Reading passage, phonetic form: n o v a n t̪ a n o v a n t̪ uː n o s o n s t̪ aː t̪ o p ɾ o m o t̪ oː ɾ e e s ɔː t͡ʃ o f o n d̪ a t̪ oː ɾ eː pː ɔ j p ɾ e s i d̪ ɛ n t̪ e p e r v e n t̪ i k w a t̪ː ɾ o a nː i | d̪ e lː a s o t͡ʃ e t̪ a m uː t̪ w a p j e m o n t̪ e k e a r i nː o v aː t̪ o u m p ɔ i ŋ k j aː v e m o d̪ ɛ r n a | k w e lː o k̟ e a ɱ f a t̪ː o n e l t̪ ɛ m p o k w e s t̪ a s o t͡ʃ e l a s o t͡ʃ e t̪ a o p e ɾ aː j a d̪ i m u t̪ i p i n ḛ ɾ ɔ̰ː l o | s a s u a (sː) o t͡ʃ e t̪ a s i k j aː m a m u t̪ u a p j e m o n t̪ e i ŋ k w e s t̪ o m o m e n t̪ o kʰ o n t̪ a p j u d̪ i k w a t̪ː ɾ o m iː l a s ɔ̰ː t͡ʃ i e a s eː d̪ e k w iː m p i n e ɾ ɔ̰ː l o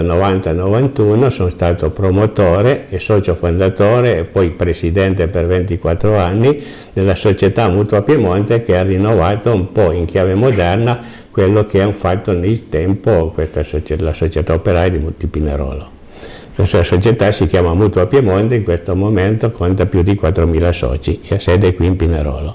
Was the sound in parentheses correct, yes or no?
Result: no